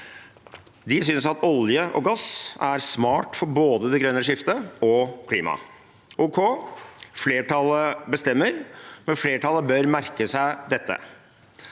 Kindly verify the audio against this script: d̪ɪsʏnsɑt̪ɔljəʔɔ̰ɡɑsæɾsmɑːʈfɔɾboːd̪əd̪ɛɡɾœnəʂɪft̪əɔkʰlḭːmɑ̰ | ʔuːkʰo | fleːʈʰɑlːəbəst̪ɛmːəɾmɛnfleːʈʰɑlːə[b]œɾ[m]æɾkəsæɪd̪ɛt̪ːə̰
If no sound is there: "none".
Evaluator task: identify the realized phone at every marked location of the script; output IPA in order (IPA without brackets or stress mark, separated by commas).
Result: b, m